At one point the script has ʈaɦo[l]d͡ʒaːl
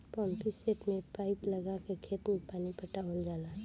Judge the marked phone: correct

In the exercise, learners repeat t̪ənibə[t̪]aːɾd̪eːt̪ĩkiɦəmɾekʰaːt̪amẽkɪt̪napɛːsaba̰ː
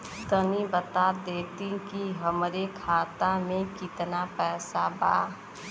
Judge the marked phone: correct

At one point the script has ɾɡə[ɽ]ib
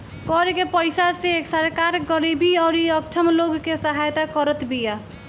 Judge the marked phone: incorrect: ɾ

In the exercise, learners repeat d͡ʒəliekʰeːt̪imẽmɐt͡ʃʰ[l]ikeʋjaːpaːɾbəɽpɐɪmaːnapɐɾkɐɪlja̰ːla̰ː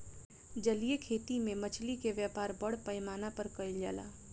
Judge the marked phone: correct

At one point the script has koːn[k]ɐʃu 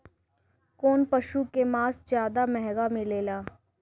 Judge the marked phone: incorrect: p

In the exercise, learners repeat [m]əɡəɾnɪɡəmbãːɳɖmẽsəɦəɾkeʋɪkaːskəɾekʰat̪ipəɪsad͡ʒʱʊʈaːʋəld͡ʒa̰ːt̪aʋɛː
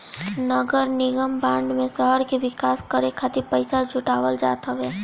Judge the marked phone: incorrect: n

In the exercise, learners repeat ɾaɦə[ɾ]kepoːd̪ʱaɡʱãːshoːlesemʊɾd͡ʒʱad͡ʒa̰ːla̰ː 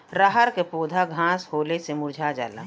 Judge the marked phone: correct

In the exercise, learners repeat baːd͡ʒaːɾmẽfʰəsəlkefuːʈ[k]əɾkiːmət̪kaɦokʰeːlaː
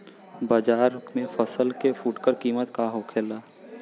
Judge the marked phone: correct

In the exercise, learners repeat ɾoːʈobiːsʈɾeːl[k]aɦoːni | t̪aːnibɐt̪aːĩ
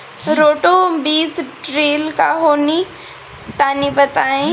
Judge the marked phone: correct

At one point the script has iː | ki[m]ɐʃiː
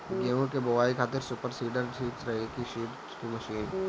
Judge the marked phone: correct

